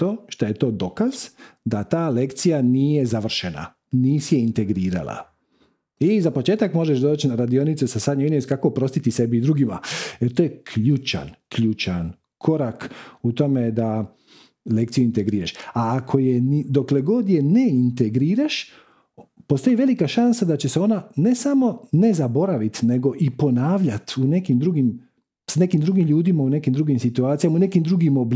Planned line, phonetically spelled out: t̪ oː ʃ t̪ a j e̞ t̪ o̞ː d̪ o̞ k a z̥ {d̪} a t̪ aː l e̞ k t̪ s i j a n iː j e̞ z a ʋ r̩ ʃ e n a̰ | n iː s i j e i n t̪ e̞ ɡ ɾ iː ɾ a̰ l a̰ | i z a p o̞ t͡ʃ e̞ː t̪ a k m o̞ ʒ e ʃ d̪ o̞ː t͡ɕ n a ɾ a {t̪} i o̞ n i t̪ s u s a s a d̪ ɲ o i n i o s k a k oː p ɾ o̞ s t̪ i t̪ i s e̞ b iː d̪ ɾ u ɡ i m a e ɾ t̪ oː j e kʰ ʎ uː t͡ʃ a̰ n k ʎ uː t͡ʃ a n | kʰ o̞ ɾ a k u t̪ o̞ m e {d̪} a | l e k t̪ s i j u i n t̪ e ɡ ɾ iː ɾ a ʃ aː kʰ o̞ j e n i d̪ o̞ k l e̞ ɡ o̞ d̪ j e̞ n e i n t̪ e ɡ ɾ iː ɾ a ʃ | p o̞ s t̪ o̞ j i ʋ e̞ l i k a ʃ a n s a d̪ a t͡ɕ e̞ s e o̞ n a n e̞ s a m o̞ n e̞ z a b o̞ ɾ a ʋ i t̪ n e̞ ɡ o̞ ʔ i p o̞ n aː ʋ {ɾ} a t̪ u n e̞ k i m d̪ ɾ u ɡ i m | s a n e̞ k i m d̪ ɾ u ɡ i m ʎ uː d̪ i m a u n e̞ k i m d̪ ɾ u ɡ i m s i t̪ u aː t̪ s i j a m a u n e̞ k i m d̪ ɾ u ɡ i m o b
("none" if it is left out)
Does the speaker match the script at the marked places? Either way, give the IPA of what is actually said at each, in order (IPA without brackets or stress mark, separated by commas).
d̪, d̪, d̪, ʎ